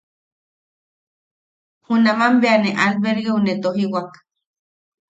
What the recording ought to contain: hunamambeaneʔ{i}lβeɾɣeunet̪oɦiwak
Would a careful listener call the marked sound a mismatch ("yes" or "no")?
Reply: yes